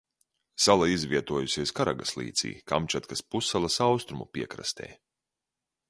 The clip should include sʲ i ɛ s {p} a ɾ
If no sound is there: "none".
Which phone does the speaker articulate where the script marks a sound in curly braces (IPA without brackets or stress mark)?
k